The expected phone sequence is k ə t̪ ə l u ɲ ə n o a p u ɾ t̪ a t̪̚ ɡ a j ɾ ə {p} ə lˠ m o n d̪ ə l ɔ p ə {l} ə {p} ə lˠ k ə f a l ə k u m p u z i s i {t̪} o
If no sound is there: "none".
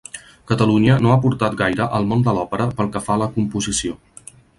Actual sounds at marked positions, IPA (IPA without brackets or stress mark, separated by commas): ʔ, ɾ, p, none